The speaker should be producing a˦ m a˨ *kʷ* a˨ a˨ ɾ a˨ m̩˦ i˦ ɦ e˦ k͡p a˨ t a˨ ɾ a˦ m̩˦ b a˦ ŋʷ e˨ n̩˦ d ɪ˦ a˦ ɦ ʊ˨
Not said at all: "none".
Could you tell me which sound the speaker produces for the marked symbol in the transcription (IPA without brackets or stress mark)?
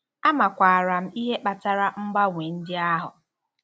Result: kʷ